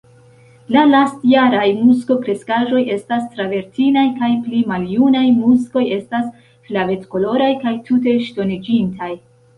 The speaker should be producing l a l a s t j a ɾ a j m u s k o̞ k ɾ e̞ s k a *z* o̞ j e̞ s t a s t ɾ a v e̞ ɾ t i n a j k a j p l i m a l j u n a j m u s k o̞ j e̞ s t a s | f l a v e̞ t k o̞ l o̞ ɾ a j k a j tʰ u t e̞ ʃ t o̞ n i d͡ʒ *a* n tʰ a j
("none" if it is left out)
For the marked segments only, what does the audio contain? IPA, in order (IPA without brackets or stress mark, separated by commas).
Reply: ʒ, i